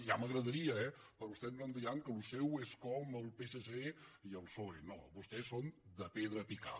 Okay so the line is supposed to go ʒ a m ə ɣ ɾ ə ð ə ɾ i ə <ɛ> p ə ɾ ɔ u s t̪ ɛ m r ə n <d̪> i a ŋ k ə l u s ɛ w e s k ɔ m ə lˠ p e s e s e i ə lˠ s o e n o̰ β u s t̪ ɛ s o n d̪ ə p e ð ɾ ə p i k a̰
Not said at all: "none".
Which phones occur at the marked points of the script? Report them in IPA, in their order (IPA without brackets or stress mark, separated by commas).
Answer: ɛ, d̪